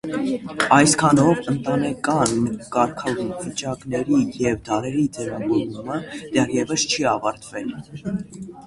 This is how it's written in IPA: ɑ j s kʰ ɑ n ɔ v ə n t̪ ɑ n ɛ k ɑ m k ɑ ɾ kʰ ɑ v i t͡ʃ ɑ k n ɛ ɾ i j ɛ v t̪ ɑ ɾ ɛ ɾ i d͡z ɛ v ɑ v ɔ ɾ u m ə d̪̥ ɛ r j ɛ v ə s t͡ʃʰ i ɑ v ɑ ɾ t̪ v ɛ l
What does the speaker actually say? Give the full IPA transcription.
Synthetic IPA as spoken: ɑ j s kʰ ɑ n ɔ v ə n t̪ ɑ n ɛ k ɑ n k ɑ ɾ kʰ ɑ v i t͡ʃ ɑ k n ɛ ɾ i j ɛ v d̪ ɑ ɾ ɛ ɾ i d͡z ɛ v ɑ v ɔ ɾ u m ə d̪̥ ɛ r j ɛ v ə s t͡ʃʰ i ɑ v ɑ ɾ t̪ v ɛ l